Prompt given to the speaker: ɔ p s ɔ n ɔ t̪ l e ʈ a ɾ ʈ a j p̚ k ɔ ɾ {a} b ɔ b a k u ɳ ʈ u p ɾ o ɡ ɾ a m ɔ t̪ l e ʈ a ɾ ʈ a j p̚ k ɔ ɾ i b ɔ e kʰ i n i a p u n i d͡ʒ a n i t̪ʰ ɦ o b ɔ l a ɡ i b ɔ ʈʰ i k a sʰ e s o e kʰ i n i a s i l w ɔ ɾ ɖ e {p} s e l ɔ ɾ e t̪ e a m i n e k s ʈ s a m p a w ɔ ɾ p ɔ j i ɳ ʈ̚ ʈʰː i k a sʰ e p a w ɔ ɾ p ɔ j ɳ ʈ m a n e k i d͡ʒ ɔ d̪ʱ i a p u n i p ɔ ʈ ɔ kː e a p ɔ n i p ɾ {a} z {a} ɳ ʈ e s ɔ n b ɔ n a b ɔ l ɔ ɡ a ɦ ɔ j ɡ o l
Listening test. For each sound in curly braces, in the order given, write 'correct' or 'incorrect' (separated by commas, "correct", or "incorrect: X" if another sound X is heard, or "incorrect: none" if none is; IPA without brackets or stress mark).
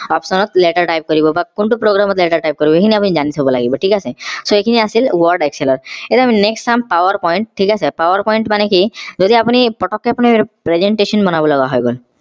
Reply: incorrect: i, incorrect: k, incorrect: e, incorrect: e